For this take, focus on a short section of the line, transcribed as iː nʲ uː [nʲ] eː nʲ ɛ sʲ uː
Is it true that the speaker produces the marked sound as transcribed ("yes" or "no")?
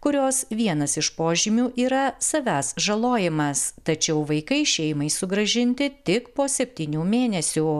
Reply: no